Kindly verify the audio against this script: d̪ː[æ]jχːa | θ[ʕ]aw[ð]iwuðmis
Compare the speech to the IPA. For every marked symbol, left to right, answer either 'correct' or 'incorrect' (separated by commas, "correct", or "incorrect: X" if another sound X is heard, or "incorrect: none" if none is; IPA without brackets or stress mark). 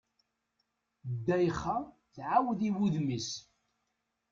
correct, correct, correct